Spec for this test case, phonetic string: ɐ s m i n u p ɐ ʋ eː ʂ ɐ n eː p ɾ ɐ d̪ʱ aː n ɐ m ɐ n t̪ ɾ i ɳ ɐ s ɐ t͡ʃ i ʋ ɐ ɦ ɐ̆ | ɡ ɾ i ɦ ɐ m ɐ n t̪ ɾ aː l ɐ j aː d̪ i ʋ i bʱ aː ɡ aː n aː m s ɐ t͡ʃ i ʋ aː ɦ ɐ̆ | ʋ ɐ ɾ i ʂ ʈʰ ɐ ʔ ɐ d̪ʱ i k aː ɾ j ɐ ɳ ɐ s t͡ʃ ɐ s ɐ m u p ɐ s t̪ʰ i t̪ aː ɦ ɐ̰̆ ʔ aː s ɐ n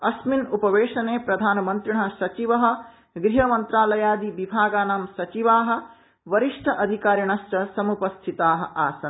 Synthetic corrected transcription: ɐ s m i n u p ɐ ʋ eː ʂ ɐ n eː p ɾ ɐ d̪ʱ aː n ɐ m ɐ n t̪ ɾ i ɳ ɐ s ɐ t͡ʃ i ʋ ɐ ɦ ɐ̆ | ɡ ɾ i ɦ ɐ m ɐ n t̪ ɾ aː l ɐ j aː d̪ i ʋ i bʱ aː ɡ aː n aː m s ɐ t͡ʃ i ʋ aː ɦ ɐ̆ | ʋ ɐ ɾ i ʂ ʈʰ ɐ ʔ ɐ d̪ʱ i k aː ɾ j ɐ ɳ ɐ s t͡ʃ ɐ s ɐ m u p ɐ s t̪ʰ i t̪ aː ɦ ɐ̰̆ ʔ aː s ɐ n